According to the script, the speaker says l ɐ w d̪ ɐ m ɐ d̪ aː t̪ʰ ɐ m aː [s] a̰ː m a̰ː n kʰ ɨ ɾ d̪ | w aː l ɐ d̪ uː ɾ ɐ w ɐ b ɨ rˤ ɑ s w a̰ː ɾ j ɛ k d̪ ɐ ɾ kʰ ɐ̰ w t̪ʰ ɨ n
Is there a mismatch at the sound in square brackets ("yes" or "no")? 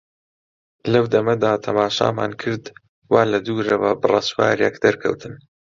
yes